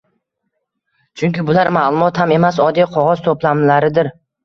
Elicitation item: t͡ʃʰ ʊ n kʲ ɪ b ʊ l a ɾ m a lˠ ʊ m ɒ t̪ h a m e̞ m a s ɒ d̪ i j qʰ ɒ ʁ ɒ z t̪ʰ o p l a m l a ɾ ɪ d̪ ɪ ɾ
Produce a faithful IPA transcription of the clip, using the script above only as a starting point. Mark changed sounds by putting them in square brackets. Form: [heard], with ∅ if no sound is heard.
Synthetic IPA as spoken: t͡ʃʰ ʊ [ŋ] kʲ ɪ b ʊ l a ɾ m a lˠ ʊ m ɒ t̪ h a m e̞ m a s ɒ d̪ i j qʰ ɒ ʁ ɒ z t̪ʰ o p l a m l a ɾ ɪ d̪ ɪ ɾ